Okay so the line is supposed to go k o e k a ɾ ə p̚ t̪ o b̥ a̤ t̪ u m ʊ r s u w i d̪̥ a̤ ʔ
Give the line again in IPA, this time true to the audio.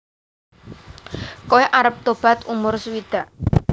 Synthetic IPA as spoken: k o e ʔ a ɾ ə p̚ t̪ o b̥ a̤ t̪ u m ʊ r s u w i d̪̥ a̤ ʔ

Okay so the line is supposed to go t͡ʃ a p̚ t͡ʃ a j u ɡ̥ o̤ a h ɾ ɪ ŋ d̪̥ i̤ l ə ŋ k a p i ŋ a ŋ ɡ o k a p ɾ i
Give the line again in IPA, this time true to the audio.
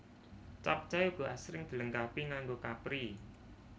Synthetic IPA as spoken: t͡ʃ a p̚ t͡ʃ a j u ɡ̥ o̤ a s ɾ ɪ ŋ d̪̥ i̤ l ə ŋ k a p i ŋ a ŋ ɡ o k a p ɾ i

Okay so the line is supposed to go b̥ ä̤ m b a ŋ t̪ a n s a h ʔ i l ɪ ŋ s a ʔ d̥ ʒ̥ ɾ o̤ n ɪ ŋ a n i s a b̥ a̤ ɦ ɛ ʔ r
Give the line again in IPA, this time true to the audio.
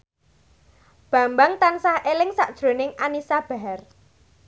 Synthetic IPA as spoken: b̥ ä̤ m b a ŋ t̪ a n s a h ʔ e l ɪ ŋ s a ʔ d̥ ʒ̥ ɾ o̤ n ɪ ŋ a n i s a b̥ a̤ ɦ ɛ r

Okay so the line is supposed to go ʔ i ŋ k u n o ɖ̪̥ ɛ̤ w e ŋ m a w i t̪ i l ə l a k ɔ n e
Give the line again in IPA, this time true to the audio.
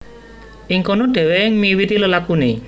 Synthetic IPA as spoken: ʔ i ŋ k o n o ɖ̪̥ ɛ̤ w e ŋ m i w i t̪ i l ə l a k u n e

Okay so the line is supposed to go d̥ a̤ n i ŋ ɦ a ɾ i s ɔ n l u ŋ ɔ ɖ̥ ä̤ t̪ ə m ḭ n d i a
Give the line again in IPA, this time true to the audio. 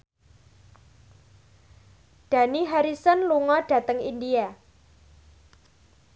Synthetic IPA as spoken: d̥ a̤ n i ɦ a ɾ i s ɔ n l u ŋ ɔ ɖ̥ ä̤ t̪ ə ŋ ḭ n d i a

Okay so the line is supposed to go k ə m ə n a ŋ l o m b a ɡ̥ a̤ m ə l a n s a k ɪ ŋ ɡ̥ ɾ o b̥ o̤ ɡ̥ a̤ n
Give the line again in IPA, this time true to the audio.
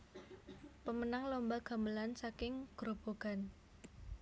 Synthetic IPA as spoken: p ə m ə n a ŋ l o m b a ɡ̥ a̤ m ə l a n s a k ɪ ŋ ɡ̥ ɾ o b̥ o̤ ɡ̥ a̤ n

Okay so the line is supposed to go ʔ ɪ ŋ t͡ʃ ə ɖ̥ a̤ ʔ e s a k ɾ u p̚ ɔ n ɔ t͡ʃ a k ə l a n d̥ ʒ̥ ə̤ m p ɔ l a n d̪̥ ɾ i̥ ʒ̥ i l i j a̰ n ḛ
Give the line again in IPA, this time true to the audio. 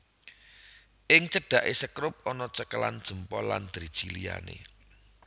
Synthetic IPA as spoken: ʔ ɪ ŋ t͡ʃ ə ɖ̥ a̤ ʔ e s ə k ɾ ʊ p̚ ɔ n ɔ t͡ʃ ə k ə l a n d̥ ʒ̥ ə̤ m p ɔ l a n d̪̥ ɾ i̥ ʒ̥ i l i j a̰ n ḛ

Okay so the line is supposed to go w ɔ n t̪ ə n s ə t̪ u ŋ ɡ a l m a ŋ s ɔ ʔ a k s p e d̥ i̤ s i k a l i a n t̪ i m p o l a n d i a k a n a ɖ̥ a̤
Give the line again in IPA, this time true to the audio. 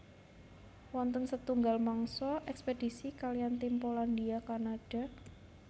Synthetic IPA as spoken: w ɔ n t̪ ə n s ə t̪ u ŋ ɡ a l m a ŋ s ɔ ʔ ɛ k s p e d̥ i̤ s i k a l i a n t̪ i m p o l a n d i a k a n a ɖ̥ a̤

